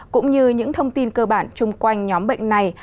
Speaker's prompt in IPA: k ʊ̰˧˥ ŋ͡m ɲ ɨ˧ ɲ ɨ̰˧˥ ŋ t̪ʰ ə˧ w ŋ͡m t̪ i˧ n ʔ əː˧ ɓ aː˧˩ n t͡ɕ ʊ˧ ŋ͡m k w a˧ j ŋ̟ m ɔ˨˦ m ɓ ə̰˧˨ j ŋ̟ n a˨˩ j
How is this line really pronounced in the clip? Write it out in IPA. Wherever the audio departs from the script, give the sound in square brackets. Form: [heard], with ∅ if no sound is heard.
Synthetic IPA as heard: k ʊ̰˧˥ ŋ͡m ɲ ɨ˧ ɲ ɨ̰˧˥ ŋ t̪ʰ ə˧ w ŋ͡m t̪ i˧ n [k] əː˧ ɓ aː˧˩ n t͡ɕ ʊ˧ ŋ͡m k w a˧ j ŋ̟ [ɲ] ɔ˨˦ m ɓ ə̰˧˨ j ŋ̟ n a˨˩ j